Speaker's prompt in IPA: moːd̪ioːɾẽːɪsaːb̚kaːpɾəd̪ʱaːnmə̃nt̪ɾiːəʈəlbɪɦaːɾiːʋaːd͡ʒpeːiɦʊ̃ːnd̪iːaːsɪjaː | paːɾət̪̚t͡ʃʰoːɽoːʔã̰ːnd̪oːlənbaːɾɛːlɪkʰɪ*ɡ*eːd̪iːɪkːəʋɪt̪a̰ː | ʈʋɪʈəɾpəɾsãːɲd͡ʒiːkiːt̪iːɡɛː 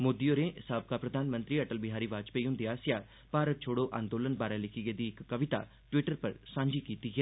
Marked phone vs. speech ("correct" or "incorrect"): correct